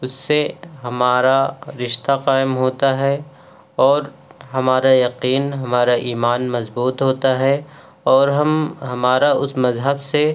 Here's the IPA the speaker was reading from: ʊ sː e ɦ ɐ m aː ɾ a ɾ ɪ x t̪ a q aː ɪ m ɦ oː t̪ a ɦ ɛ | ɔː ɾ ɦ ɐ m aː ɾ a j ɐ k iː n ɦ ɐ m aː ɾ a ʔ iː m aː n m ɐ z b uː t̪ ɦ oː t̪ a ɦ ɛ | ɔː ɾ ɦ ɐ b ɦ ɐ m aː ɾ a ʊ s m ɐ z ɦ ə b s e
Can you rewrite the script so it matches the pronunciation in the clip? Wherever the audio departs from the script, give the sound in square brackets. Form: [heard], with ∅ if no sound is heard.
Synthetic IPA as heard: ʊ sː e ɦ ɐ m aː ɾ a ɾ ɪ [ʃ] t̪ a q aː ɪ m ɦ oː t̪ a ɦ ɛ | ɔː ɾ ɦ ɐ m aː ɾ a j ɐ [q] iː n ɦ ɐ m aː ɾ a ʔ iː m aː n m ɐ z b uː t̪ ɦ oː t̪ a ɦ ɛ | ɔː ɾ ɦ ɐ [m] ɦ ɐ m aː ɾ a ʊ s m ɐ z ɦ ə b s e